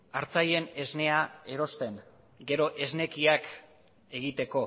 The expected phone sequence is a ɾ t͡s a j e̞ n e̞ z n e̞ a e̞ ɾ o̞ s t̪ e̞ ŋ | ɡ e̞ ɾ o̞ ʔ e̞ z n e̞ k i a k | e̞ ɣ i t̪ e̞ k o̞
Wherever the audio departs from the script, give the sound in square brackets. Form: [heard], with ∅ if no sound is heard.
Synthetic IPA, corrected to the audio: a ɾ t͡s a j e̞ n e̞ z n e̞ a e̞ ɾ o̞ s t̪ e̞ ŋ | ɡ e̞ ɾ o̞ ʔ e̞ z n e̞ k i a k | e̞ ɣ i t̪ e̞ k o̞